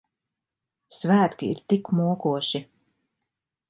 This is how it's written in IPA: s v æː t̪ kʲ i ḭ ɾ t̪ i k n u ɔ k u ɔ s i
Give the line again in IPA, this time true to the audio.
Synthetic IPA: s v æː t̪ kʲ i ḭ ɾ t̪ i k m u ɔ k u ɔ ʃ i